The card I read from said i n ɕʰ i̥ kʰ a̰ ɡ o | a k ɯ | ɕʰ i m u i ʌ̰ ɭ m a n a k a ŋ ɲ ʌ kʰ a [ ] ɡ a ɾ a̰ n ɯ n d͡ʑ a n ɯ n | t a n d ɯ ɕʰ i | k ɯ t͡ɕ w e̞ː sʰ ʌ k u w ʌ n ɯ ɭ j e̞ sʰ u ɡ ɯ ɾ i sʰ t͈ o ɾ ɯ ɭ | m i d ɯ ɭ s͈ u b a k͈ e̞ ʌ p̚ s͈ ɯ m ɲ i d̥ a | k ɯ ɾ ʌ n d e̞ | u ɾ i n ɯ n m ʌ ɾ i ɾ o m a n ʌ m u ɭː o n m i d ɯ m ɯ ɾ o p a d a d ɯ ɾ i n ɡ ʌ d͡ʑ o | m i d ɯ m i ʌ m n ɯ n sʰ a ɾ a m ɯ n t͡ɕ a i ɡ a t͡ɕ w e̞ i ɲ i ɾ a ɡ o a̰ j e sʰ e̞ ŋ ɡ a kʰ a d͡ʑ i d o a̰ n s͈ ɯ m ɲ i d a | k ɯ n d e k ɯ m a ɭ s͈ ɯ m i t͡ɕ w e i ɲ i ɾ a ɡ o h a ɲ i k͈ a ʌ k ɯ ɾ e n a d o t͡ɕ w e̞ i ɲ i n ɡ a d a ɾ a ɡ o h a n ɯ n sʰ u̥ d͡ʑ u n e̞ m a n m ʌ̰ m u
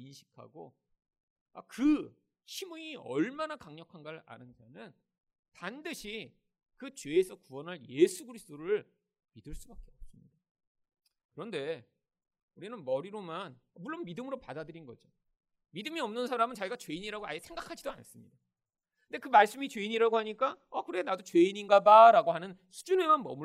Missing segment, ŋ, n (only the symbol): n